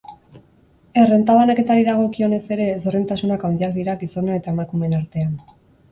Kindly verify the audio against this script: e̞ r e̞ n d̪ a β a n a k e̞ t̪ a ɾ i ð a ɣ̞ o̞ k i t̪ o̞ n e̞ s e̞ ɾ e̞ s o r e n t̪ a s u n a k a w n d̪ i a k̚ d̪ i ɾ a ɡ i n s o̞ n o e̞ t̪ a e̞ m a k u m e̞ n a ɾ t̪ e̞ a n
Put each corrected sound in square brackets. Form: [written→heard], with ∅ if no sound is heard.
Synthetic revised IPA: e̞ r e̞ n [d̪→t̪] a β a n a k e̞ t̪ a ɾ i ð a ɣ̞ o̞ k i [t̪→∅] o̞ n e̞ s e̞ ɾ e̞ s o r e n t̪ a s u n a k a w n d̪ i a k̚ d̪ i ɾ a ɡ i [n→∅] s o̞ n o e̞ t̪ a e̞ m a k u m e̞ n a ɾ t̪ e̞ a n